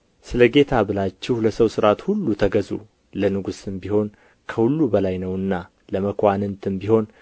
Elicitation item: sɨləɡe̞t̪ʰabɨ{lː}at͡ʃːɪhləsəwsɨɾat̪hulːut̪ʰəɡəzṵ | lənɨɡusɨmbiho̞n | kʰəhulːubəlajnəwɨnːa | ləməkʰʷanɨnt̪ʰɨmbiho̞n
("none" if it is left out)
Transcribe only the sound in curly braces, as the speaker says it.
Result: l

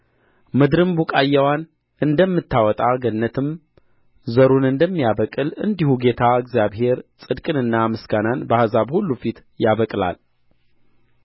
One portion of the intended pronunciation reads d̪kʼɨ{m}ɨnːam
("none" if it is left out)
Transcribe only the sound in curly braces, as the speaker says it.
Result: n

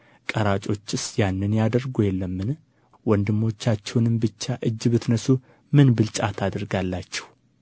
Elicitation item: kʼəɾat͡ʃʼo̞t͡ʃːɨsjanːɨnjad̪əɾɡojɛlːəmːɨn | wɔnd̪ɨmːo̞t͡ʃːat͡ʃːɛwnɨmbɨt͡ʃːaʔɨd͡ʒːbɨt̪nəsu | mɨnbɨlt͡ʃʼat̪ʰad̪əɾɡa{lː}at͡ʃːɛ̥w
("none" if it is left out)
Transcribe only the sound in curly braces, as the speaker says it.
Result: lː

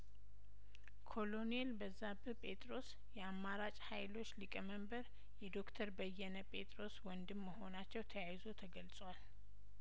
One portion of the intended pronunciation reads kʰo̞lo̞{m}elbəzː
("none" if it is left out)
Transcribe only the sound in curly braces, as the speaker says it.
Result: n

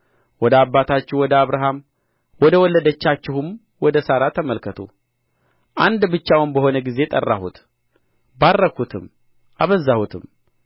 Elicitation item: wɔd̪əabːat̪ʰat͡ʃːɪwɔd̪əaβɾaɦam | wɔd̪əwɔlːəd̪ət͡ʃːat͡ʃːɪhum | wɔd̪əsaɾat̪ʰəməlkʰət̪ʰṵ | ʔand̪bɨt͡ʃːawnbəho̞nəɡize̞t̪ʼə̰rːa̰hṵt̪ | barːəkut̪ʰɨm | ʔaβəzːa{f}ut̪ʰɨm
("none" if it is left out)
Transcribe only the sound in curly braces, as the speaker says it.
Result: h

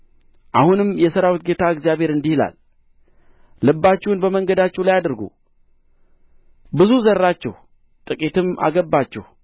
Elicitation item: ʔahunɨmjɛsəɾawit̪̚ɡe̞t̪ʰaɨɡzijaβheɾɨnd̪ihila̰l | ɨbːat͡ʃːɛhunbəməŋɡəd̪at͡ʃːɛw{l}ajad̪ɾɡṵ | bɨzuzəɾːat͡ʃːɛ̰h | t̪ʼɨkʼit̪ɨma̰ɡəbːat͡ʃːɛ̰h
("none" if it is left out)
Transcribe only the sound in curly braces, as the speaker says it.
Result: l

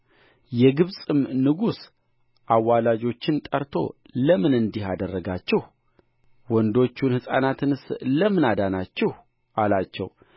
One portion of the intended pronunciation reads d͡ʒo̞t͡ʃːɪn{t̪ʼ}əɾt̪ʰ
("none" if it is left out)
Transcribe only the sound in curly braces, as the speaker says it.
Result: t̪ʼ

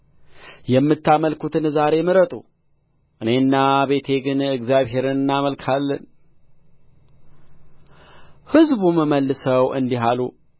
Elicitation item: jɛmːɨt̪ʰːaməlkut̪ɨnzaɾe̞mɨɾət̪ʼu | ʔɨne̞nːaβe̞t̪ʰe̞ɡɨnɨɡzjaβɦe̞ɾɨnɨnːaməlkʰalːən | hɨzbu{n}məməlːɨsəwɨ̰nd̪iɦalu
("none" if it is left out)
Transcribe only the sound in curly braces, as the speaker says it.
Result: none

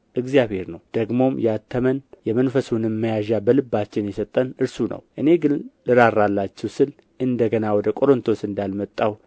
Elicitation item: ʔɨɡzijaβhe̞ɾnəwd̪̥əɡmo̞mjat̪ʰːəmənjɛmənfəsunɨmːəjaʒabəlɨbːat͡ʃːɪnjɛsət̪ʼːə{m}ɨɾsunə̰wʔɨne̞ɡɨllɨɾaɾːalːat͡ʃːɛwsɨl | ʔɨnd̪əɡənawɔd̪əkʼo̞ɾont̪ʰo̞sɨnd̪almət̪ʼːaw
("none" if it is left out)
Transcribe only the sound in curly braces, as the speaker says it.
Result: n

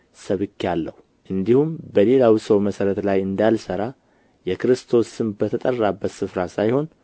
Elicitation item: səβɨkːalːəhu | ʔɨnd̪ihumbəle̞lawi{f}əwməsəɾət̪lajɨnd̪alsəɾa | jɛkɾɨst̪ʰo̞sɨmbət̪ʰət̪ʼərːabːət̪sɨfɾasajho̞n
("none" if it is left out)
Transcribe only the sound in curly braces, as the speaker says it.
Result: s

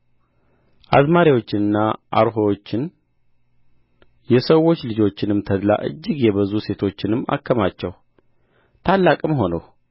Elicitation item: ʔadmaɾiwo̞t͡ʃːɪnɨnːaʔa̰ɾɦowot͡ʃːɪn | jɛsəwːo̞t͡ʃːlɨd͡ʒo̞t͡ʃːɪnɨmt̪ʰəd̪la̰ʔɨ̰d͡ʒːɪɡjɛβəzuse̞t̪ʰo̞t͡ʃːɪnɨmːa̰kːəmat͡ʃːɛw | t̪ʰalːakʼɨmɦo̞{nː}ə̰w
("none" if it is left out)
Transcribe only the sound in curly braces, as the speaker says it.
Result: n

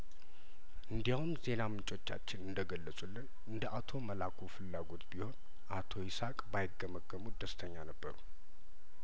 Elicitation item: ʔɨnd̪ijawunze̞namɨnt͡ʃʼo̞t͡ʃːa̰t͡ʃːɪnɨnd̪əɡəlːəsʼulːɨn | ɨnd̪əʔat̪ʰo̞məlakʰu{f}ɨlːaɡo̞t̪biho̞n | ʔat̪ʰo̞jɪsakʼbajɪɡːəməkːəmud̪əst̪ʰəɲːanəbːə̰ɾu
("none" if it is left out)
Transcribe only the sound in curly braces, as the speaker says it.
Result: f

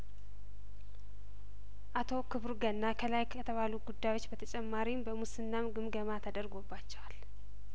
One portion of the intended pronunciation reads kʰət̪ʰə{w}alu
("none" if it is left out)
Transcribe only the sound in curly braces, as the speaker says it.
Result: β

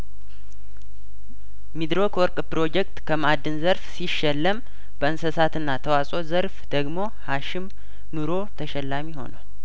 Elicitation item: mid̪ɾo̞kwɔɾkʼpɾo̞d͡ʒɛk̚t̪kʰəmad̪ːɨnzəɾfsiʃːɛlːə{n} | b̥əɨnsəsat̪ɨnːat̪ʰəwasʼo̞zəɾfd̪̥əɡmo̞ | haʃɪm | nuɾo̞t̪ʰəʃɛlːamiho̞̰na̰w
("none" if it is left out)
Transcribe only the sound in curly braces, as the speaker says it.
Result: m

